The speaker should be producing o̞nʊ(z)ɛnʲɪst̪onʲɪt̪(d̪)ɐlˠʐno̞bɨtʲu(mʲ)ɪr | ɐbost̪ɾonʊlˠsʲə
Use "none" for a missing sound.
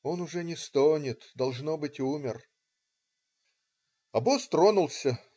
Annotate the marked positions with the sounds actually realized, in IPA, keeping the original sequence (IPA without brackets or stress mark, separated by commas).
ʐ, d̪, mʲ